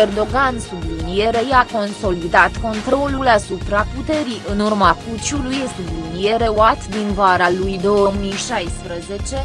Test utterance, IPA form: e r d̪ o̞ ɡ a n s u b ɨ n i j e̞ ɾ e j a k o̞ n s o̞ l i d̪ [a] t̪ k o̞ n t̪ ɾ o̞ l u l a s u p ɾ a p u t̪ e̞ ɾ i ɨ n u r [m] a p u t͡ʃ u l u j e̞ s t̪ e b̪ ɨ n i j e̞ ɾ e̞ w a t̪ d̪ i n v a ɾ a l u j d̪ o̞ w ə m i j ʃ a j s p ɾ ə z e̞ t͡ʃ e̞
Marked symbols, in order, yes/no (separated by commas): yes, yes